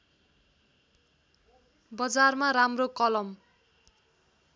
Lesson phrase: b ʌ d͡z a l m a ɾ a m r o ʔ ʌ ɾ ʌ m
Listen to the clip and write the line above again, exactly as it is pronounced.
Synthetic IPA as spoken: b ʌ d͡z a r m a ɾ a m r o k ʌ l ʌ m